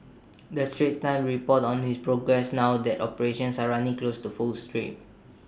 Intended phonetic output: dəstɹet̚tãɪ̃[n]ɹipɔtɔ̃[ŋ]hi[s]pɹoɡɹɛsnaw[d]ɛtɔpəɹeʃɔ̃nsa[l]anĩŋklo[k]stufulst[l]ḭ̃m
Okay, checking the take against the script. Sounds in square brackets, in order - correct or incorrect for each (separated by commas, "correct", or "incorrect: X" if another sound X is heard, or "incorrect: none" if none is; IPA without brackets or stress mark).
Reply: incorrect: m, incorrect: n, correct, correct, incorrect: ɹ, incorrect: none, incorrect: ɹ